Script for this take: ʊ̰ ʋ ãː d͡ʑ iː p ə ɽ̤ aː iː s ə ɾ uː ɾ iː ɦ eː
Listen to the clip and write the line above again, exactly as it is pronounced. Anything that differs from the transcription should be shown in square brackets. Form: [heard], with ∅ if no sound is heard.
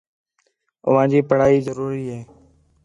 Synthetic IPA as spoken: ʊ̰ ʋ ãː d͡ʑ iː p ə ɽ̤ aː iː [z] ə ɾ uː ɾ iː ɦ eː